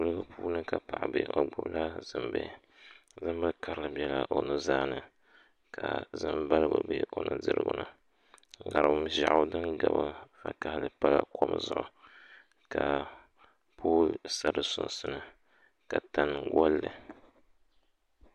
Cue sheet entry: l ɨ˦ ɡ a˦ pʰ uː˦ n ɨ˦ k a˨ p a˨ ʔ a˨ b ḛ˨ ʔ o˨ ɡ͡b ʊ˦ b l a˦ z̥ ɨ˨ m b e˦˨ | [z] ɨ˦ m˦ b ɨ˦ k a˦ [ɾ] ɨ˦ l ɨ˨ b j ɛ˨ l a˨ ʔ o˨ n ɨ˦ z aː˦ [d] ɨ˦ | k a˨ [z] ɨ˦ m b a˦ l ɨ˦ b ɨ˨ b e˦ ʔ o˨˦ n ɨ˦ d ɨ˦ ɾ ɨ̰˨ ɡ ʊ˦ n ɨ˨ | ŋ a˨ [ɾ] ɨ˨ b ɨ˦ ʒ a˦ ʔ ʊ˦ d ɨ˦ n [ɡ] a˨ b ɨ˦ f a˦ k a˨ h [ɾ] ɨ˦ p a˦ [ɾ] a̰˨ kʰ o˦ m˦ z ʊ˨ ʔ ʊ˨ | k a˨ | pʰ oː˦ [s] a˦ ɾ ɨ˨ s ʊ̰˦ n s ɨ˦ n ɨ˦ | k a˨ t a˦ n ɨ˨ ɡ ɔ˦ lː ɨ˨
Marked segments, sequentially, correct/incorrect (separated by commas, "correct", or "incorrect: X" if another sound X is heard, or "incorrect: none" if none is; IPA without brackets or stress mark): correct, correct, incorrect: n, correct, correct, correct, incorrect: l, incorrect: l, correct